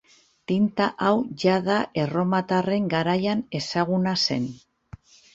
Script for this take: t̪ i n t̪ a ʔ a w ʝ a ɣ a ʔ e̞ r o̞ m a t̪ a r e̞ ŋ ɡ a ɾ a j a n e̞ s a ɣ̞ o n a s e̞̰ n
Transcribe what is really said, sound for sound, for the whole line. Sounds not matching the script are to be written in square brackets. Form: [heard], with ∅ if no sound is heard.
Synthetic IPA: t̪ i n t̪ a ʔ a w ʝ a [ð] a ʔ e̞ r o̞ m a t̪ a r e̞ ŋ ɡ a ɾ a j a n e̞ s a ɣ̞ [u] n a s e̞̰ n